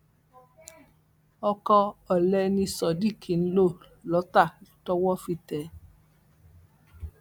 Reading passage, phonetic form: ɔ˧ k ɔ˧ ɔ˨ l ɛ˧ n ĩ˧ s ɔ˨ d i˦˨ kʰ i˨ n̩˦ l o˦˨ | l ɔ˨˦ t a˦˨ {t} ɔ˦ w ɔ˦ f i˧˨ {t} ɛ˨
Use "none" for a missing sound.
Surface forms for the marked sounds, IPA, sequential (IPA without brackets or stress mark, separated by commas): t, t